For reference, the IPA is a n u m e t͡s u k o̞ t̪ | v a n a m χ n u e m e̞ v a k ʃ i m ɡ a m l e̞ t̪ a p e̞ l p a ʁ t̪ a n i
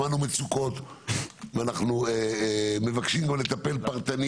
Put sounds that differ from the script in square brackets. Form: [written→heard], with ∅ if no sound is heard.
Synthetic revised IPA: a n u m e t͡s u k o̞ t̪ | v a n a [m→∅] χ n u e m e̞ v a k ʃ i m ɡ a m l e̞ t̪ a p e̞ l p a ʁ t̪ a n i